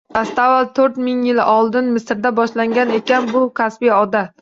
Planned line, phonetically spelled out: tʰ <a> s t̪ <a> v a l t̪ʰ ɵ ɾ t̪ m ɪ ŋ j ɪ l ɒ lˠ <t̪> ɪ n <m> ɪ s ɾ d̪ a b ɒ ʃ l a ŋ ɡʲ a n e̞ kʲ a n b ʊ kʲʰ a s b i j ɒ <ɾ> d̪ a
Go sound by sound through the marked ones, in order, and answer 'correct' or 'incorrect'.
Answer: correct, correct, incorrect, correct, incorrect

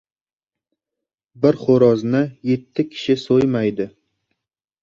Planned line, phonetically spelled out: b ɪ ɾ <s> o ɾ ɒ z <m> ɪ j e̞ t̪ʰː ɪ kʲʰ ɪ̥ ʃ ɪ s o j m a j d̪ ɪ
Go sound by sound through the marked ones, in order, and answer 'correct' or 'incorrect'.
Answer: incorrect, incorrect

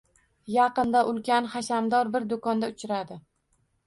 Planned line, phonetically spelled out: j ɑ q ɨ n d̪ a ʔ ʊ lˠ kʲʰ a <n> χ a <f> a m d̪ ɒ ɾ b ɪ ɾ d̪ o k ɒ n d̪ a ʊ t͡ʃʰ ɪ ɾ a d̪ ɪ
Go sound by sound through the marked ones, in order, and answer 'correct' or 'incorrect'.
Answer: correct, incorrect

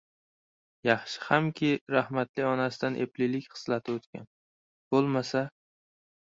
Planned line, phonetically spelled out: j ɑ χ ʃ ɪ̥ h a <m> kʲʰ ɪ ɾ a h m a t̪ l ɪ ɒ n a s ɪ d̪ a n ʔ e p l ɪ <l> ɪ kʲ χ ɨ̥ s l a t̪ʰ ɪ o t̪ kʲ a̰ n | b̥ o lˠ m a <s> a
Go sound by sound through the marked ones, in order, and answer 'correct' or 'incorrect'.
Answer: correct, correct, correct

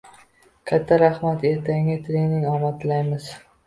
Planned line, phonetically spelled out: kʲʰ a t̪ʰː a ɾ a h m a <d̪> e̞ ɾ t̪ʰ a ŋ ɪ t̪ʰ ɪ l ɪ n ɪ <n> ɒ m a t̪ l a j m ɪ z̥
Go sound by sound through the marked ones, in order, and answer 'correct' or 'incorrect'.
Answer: incorrect, incorrect

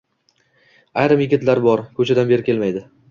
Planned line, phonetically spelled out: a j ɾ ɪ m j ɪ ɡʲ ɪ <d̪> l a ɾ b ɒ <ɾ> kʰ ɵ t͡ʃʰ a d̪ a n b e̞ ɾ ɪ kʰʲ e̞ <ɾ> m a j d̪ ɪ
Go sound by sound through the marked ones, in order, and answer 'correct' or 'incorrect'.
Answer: incorrect, correct, incorrect

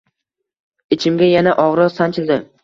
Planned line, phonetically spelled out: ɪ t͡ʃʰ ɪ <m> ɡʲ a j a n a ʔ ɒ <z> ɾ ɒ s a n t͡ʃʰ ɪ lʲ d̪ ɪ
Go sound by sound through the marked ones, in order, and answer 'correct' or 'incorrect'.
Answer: correct, incorrect

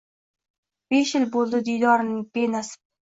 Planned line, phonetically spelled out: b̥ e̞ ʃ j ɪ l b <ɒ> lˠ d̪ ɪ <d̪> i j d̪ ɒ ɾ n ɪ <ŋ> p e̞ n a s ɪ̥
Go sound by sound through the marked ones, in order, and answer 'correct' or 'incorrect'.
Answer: incorrect, correct, correct

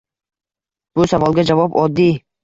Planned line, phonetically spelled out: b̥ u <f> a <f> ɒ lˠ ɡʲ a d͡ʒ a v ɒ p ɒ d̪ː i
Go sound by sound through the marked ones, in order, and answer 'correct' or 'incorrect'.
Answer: incorrect, incorrect

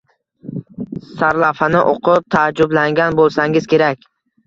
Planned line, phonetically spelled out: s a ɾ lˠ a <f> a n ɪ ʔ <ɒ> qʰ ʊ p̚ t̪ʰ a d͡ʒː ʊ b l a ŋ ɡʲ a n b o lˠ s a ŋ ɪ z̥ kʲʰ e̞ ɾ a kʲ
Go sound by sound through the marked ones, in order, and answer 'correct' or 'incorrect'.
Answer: correct, incorrect

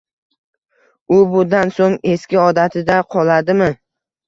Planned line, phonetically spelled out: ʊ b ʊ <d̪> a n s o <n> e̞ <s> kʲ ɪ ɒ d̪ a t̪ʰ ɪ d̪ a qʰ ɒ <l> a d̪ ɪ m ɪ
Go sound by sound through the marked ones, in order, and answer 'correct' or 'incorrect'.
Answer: correct, incorrect, correct, correct

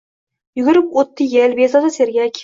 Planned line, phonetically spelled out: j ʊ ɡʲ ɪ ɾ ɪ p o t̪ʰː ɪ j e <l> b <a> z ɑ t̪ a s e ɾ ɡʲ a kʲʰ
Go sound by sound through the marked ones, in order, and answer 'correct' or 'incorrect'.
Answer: correct, incorrect

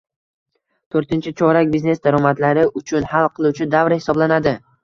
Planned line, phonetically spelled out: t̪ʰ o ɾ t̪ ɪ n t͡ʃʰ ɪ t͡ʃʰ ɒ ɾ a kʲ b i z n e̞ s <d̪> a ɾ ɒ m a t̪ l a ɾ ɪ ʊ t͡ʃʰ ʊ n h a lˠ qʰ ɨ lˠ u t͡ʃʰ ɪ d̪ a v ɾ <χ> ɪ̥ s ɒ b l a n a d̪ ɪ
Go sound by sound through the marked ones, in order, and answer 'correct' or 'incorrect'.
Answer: correct, incorrect

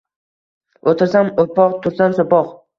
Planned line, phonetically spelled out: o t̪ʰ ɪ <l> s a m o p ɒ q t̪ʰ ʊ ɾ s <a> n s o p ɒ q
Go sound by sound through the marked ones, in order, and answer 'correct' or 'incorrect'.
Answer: incorrect, correct

